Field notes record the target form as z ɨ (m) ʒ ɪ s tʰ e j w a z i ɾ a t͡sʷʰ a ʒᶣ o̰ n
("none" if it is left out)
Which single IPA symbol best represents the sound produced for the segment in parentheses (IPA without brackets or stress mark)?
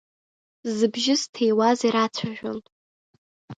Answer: b